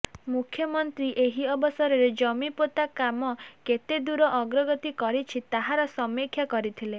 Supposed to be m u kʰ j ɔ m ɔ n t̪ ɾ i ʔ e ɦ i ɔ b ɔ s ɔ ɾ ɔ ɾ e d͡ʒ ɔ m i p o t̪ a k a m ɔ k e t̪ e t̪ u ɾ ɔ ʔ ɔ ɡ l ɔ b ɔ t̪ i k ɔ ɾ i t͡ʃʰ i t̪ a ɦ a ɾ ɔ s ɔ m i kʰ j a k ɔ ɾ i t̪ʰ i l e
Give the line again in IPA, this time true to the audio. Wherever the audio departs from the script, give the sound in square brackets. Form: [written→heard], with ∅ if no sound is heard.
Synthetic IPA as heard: m u kʰ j ɔ m ɔ n t̪ ɾ i ʔ e ɦ i ɔ b ɔ s ɔ ɾ ɔ ɾ e d͡ʒ ɔ m i p o t̪ a k a m ɔ k e t̪ e [t̪→d̪] u ɾ ɔ ʔ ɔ ɡ [l→ɾ] ɔ [b→ɡ] ɔ t̪ i k ɔ ɾ i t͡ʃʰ i t̪ a ɦ a ɾ ɔ s ɔ m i kʰ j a k ɔ ɾ i t̪ʰ i l e